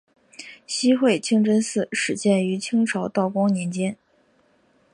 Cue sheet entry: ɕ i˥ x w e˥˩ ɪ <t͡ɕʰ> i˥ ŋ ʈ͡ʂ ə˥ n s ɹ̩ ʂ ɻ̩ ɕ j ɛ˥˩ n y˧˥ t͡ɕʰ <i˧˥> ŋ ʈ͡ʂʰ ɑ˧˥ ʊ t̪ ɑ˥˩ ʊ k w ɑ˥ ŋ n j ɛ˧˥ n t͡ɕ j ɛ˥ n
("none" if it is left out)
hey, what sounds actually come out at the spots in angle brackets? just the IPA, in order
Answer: t͡ɕʰ, i˥

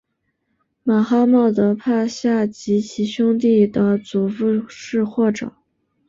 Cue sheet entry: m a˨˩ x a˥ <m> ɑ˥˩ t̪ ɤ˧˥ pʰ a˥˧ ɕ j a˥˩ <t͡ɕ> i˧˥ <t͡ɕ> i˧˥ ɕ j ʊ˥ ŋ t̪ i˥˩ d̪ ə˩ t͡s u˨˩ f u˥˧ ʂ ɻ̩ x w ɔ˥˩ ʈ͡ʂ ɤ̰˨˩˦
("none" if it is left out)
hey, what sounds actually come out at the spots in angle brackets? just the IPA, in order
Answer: m, t͡ɕ, t͡ɕʰ

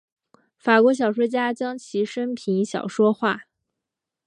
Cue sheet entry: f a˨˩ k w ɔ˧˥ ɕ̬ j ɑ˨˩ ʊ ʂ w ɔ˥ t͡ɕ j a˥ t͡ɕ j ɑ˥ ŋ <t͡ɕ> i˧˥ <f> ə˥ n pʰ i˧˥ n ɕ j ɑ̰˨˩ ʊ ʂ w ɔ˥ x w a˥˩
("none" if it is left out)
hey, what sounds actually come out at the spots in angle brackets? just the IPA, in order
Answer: t͡ɕʰ, ʂ

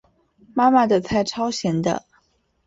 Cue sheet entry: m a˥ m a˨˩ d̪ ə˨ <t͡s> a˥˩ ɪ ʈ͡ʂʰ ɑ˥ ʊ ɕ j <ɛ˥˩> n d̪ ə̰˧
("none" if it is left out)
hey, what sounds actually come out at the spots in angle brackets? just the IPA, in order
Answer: t͡sʰ, ɛ˧˥

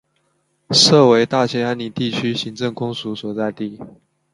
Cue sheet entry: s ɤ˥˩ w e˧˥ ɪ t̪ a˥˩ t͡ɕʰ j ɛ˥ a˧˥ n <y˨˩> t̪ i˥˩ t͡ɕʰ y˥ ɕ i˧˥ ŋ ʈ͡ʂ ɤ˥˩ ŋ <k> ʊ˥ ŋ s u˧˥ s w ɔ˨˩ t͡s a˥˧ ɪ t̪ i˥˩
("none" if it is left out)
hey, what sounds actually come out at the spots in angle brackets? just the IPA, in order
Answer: i˨˩, k

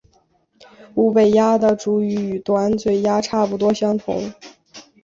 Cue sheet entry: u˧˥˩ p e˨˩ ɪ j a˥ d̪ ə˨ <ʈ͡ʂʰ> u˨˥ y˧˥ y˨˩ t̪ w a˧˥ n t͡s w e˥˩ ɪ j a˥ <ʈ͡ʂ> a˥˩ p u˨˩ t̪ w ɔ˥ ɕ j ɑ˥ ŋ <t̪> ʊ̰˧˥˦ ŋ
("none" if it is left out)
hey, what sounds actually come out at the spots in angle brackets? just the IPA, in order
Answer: ʈ͡ʂ, ʈ͡ʂʰ, t̪ʰ

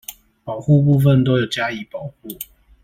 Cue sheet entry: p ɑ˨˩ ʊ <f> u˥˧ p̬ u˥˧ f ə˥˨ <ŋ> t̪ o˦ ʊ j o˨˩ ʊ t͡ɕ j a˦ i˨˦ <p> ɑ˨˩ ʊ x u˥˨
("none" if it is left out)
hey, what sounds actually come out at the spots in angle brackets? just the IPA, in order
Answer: x, n, p

